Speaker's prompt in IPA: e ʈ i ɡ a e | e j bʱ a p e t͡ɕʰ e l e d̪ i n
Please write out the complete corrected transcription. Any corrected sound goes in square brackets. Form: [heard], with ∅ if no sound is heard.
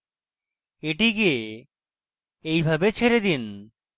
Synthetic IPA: e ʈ i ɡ [i] e | e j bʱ a [b] e t͡ɕʰ e [ɾ] e d̪ i n

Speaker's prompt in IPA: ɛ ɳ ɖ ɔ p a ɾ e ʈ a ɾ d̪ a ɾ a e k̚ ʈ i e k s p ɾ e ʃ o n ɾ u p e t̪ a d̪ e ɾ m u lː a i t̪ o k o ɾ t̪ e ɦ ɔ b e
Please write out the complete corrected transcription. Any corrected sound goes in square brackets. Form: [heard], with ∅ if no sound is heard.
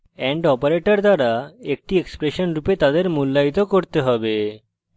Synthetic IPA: ɛ ɳ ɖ ɔ p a ɾ e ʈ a ɾ d̪ a ɾ a e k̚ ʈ i e k s p ɾ e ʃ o n ɾ u p e t̪ a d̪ e ɾ m u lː a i t̪ o k o ɾ t̪ e ɦ ɔ b e

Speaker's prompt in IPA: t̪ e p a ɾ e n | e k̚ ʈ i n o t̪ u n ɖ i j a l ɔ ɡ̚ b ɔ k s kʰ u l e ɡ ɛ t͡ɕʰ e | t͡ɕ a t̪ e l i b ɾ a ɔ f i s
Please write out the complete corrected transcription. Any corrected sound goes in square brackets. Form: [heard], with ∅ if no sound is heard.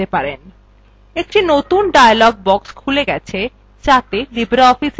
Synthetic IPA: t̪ e p a ɾ e n | e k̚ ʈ i n o t̪ u n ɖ [a] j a l ɔ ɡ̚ b ɔ k s kʰ u l e ɡ ɛ t͡ɕʰ e | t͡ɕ a t̪ e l i b ɾ a ɔ f i s

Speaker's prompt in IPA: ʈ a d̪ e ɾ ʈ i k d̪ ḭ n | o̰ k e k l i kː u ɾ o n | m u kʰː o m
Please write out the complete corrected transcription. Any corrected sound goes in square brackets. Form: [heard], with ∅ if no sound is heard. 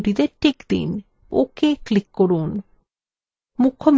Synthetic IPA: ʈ [i] d̪ e ɾ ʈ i k d̪ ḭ n | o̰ k e k l i kː [o] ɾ [u] n | m u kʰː o m

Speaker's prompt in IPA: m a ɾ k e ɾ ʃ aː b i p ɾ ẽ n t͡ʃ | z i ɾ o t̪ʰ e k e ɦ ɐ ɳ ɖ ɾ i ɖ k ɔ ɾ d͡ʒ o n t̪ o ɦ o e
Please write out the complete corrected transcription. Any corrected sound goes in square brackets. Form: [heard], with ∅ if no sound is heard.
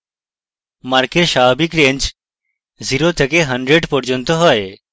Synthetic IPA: m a ɾ k e ɾ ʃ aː b i [k] ɾ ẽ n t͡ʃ | z i ɾ o t̪ʰ e k e ɦ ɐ ɳ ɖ ɾ [e] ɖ [p] ɔ ɾ d͡ʒ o n t̪ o ɦ [ɔ] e

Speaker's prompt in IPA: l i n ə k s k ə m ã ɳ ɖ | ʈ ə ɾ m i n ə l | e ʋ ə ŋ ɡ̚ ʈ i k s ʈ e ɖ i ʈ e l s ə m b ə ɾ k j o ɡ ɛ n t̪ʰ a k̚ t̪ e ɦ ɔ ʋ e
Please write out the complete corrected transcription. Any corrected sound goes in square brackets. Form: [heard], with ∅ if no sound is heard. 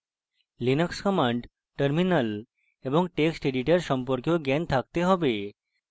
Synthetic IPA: l i n ə k s k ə m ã ɳ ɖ | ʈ ə ɾ m i n ə l | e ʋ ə ŋ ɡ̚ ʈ [e] k s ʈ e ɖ i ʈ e [ɾ] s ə m [p] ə ɾ k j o ɡ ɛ n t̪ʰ a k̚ t̪ e ɦ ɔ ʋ e

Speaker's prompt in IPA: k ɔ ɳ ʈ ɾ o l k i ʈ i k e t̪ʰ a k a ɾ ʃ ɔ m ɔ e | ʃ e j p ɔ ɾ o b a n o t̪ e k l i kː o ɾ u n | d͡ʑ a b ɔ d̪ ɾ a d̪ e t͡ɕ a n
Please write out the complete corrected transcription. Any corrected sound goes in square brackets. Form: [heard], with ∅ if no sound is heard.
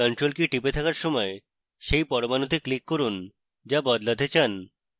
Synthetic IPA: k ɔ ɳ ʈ ɾ o l k i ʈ i [p] e t̪ʰ a k a ɾ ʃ ɔ m ɔ e | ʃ e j p ɔ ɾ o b a n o t̪ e k l i kː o ɾ u n | d͡ʑ a b ɔ d̪ [l] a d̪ e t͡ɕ a n

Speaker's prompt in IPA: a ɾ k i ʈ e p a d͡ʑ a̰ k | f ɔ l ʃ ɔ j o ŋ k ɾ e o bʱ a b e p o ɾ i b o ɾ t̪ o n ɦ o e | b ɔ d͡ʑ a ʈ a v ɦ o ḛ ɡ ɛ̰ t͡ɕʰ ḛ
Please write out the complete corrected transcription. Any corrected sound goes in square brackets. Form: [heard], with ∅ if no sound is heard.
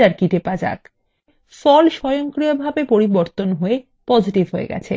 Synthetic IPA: a ɾ k i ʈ e p a d͡ʑ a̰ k | f ɔ l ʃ ɔ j o ŋ k ɾ [i] o bʱ a b e p o ɾ i b o ɾ t̪ o n ɦ o e | [p] ɔ d͡ʑ [i] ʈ [i] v ɦ o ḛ ɡ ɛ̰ t͡ɕʰ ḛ

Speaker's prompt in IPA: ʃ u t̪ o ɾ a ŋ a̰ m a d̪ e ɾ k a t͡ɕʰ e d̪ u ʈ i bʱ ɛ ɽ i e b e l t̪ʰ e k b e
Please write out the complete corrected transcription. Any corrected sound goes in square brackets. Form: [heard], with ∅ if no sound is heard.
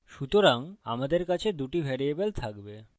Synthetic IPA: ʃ u t̪ o ɾ a ŋ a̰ m a d̪ e ɾ k a t͡ɕʰ e d̪ u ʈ i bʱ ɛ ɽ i e b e l t̪ʰ [a] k b e

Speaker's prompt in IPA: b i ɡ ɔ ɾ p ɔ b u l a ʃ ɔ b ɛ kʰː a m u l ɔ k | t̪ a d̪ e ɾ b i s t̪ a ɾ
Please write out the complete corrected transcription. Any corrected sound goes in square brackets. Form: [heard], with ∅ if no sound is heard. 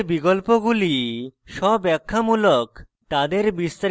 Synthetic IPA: b i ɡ ɔ [l] p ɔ [ɡ] u l [i] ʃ ɔ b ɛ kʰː a m u l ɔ k | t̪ a d̪ e ɾ b i s t̪ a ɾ

